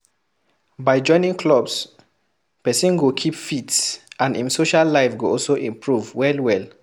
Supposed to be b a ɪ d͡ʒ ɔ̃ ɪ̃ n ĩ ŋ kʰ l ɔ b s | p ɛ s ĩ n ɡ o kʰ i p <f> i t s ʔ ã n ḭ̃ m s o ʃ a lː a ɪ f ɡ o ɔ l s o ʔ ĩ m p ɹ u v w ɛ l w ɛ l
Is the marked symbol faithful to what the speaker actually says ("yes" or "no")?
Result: yes